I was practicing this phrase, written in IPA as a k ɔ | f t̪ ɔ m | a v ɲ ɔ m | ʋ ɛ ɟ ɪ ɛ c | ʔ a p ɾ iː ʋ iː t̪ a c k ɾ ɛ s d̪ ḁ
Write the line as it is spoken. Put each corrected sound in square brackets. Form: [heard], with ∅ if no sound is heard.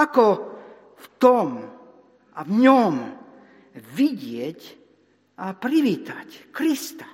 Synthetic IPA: a k ɔ | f t̪ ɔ m | a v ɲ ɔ m | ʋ [i] ɟ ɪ ɛ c | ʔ a p ɾ [i] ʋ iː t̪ a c k ɾ [i] s [t̪] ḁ